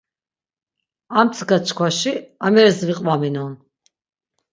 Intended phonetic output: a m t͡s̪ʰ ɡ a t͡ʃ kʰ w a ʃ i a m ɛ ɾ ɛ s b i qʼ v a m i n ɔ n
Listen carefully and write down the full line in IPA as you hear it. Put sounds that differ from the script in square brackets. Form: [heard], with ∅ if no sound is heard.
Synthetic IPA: a m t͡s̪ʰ ɡ a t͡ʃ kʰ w a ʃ i a m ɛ ɾ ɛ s [v] i qʼ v a m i n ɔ n